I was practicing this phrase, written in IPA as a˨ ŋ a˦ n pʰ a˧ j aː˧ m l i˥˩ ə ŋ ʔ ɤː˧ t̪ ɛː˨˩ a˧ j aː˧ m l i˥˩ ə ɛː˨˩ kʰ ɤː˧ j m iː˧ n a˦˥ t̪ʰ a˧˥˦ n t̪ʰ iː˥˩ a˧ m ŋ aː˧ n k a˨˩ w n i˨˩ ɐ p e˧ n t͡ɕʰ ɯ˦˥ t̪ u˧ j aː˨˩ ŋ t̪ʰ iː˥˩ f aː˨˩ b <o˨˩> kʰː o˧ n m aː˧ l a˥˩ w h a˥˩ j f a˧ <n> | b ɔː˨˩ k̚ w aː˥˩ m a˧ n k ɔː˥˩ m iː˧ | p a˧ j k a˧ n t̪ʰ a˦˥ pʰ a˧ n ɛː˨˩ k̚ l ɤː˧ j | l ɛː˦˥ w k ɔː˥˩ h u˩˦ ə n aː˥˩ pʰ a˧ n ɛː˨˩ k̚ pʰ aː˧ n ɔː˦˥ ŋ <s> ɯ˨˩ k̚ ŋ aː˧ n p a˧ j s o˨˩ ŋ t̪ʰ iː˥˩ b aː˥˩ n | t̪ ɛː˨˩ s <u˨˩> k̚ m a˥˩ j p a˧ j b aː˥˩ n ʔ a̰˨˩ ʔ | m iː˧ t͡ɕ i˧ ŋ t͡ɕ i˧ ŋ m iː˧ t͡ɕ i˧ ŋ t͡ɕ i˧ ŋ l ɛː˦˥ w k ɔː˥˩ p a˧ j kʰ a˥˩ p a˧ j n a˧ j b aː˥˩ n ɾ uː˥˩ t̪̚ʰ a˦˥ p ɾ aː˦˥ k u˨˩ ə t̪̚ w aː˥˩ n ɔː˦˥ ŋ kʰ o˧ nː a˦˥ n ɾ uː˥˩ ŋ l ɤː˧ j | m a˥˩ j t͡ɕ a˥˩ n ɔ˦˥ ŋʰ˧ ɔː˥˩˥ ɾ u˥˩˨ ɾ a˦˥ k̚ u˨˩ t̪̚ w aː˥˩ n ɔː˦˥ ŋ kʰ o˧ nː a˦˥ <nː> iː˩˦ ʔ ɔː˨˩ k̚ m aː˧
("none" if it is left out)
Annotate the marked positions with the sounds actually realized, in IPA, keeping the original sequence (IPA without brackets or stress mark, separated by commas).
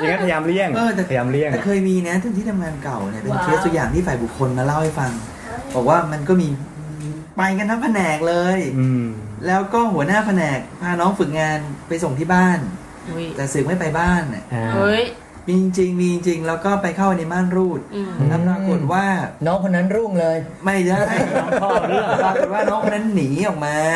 u˨˩, ŋ, f, ɯ˨˩, nː